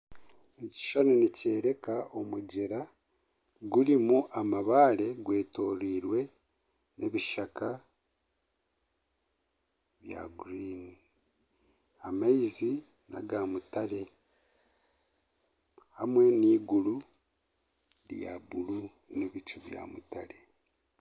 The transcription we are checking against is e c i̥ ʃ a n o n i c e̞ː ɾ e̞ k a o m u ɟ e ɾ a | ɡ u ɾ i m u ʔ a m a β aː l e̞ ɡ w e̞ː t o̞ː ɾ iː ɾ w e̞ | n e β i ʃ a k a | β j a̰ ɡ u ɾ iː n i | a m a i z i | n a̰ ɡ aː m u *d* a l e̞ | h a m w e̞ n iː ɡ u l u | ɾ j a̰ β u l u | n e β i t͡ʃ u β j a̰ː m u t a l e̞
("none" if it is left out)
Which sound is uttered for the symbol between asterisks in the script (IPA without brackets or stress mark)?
t